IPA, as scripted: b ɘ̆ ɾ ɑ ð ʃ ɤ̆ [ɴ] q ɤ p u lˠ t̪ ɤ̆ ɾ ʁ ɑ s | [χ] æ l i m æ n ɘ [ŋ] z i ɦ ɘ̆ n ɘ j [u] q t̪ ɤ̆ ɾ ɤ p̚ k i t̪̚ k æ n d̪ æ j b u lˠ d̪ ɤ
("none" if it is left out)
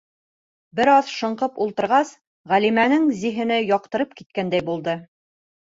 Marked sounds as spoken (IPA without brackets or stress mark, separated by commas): ɴ, ʁ, ŋ, ɒ